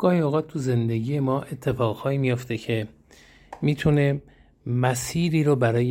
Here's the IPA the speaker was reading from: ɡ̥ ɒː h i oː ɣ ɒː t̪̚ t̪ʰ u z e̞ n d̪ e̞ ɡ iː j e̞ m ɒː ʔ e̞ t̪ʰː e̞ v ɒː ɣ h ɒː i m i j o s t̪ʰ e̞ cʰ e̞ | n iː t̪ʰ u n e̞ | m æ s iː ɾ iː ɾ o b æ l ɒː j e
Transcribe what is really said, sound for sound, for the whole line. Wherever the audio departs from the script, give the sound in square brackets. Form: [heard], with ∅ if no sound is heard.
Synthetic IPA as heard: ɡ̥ ɒː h i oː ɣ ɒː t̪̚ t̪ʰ u z e̞ n d̪ e̞ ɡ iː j e̞ m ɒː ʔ e̞ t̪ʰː e̞ [f] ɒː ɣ h ɒː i m i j o [f] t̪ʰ e̞ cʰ e̞ | [m] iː t̪ʰ u n e̞ | m æ s iː ɾ iː ɾ o b æ [ɾ] ɒː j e